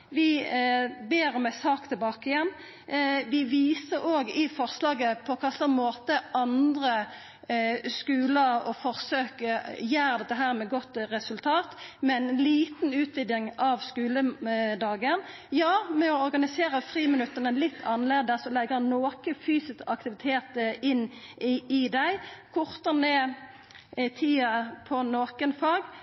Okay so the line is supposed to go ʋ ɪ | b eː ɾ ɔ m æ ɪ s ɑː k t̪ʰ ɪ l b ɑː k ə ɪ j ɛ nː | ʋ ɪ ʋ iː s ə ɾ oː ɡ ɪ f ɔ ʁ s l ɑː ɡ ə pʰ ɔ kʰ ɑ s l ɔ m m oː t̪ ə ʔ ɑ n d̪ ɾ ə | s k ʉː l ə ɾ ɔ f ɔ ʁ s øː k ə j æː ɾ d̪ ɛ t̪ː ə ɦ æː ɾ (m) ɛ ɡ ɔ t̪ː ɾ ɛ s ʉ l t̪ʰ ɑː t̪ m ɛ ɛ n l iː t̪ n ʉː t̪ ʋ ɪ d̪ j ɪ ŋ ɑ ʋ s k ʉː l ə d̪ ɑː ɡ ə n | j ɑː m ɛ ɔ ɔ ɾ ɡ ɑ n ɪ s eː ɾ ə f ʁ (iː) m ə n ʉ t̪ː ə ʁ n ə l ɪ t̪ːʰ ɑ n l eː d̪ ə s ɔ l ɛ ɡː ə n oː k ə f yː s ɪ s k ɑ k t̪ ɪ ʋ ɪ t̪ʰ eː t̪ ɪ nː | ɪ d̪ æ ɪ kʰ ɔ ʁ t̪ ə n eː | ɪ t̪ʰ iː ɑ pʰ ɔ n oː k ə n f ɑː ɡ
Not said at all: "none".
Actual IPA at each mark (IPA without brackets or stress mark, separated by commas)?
m, iː